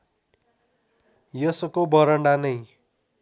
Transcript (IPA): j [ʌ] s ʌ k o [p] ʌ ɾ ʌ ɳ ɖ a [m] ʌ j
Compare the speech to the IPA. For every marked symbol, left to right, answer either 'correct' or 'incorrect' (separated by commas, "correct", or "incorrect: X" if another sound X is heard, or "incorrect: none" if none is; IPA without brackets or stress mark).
correct, incorrect: b, incorrect: n